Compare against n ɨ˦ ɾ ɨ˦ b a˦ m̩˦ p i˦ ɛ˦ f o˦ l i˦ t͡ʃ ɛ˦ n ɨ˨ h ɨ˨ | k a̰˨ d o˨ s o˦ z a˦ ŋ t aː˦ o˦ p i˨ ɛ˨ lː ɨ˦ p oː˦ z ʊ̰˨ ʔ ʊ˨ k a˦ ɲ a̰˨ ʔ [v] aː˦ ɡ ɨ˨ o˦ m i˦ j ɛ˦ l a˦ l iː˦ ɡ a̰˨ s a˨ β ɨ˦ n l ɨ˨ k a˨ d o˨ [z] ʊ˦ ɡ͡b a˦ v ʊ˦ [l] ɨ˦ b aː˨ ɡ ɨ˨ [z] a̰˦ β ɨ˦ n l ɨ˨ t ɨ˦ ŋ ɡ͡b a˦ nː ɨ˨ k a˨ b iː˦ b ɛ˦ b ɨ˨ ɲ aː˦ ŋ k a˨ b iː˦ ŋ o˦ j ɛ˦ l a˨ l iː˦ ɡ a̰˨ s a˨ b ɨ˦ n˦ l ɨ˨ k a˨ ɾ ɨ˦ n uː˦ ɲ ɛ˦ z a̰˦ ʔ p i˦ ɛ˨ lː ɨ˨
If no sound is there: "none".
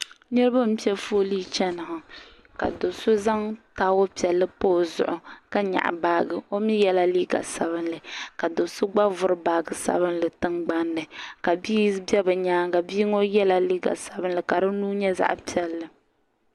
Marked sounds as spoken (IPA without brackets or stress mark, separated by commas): b, s, ɾ, s